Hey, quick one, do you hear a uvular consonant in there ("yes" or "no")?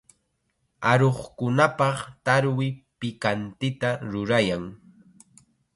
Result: yes